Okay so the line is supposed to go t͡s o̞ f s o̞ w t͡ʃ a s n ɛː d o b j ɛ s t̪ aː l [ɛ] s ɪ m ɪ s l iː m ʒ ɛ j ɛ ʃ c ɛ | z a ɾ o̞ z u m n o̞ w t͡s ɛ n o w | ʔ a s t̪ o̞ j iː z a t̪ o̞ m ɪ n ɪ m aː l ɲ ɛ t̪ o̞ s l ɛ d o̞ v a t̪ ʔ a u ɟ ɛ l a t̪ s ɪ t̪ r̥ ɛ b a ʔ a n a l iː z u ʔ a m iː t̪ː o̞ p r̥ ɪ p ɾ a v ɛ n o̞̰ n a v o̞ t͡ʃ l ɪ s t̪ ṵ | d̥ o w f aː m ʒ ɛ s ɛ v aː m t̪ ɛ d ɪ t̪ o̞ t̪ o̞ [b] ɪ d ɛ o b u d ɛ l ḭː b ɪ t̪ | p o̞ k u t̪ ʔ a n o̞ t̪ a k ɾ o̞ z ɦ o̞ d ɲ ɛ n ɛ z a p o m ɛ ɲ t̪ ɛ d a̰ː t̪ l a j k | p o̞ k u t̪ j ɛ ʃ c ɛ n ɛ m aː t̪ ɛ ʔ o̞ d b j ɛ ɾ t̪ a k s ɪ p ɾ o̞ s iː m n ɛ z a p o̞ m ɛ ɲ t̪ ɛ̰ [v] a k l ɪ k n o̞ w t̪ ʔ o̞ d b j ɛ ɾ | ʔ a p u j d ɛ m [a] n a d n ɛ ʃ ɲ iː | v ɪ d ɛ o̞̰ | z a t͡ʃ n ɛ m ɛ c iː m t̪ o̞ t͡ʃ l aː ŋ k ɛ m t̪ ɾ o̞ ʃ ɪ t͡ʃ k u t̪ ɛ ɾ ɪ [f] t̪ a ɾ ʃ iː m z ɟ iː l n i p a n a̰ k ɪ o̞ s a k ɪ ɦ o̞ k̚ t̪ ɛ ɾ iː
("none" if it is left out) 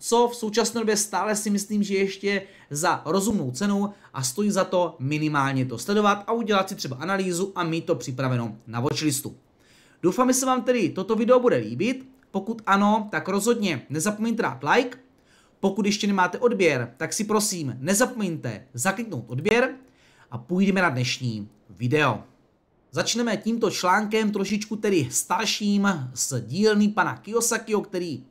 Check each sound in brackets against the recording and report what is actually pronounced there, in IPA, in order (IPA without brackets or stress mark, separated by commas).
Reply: ɛ, v, z, ɛ, s